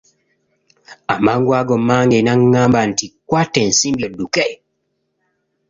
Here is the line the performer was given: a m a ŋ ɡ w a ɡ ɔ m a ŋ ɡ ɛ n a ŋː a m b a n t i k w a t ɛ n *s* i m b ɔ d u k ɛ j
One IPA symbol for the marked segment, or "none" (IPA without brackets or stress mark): s